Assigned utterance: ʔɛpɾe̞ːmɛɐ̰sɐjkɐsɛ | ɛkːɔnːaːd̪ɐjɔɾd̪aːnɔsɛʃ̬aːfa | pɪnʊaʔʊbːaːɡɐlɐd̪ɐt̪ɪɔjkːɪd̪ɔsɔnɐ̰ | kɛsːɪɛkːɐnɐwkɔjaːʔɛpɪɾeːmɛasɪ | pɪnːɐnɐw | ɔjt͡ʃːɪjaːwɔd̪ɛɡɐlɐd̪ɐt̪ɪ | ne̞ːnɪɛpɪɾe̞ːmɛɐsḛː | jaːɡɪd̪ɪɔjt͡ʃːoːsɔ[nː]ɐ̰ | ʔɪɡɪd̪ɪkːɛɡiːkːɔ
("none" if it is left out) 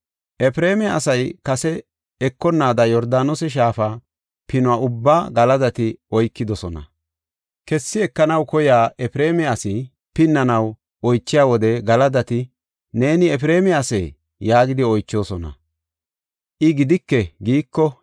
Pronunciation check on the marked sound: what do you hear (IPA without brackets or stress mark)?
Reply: n